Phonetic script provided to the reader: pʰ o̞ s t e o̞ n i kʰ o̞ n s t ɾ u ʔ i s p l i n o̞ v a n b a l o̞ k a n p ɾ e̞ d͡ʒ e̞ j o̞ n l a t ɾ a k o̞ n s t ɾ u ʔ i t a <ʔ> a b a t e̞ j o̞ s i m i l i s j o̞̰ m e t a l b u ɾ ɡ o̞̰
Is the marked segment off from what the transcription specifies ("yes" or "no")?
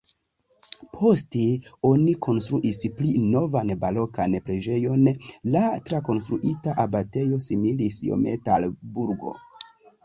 no